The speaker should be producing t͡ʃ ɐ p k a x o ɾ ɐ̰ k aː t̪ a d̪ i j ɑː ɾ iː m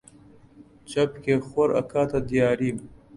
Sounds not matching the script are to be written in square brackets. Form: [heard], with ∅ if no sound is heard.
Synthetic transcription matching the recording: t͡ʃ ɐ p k [e] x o ɾ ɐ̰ k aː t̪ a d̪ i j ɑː ɾ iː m